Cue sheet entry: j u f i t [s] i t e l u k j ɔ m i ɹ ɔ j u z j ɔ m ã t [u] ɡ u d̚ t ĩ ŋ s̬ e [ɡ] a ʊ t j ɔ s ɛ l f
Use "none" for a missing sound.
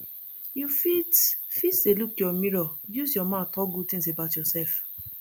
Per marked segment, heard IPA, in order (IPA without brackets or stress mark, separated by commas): f, ɔ, b